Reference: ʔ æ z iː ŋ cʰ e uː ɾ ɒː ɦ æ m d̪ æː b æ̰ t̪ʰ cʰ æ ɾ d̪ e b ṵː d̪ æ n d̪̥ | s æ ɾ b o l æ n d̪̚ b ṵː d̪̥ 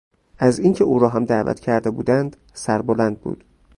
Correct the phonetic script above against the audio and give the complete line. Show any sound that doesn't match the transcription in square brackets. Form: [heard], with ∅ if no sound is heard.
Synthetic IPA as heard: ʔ æ z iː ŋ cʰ e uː ɾ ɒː ɦ æ m d̪ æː [v] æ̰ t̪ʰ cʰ æ ɾ d̪ e b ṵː d̪ æ n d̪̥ | s æ ɾ b o l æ n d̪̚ b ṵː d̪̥